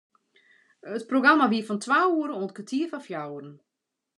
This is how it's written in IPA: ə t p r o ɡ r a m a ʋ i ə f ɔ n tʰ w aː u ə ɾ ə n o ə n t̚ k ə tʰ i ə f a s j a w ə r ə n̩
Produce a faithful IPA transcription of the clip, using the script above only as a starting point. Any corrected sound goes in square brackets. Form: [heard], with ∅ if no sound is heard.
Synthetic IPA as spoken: ə t p r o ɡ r a m a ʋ i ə f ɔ n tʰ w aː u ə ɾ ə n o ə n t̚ k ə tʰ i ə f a [f] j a w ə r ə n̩